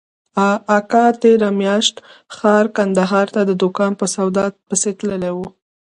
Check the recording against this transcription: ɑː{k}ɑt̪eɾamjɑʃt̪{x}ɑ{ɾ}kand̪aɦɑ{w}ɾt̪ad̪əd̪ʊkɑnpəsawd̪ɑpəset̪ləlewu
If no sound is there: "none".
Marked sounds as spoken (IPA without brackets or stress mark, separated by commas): k, x, ɾ, none